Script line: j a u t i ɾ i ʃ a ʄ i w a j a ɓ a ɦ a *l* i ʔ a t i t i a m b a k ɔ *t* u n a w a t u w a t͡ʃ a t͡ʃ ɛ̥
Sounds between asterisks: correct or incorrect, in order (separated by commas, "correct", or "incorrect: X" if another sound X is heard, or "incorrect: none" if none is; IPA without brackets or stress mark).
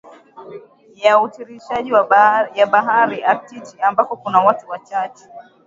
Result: incorrect: ɾ, incorrect: k